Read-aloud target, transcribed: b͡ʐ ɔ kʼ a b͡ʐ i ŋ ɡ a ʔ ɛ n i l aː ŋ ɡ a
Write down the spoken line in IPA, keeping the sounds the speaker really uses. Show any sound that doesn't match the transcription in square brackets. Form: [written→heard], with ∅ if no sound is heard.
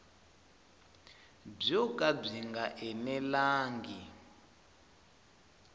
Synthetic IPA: b͡ʐ ɔ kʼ a b͡ʐ i ŋ ɡ a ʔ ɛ n [i→ɛ] l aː ŋ ɡ [a→i]